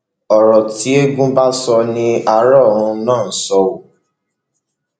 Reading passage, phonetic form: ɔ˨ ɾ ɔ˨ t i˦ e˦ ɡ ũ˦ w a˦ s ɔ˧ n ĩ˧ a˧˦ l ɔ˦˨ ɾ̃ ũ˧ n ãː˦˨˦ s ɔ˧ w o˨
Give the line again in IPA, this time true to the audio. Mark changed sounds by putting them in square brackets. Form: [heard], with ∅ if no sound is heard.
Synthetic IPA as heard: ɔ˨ ɾ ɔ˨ t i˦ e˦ ɡ ũ˦ [b] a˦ s ɔ˧ n ĩ˧ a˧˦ [ɾ] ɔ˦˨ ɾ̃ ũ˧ n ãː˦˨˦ s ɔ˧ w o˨